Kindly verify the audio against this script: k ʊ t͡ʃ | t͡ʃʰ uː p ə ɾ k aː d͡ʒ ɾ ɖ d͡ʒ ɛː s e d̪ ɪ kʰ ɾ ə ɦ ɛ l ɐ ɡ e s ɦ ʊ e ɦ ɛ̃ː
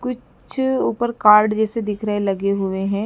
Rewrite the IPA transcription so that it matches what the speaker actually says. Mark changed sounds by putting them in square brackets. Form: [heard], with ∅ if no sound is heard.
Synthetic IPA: k ʊ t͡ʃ | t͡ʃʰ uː p ə ɾ k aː [∅] ɾ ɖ d͡ʒ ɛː s e d̪ ɪ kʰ ɾ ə ɦ [e] l ɐ ɡ e [∅] ɦ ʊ e ɦ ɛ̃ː